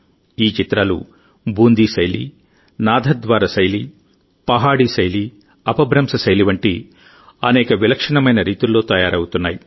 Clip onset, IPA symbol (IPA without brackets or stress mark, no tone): iː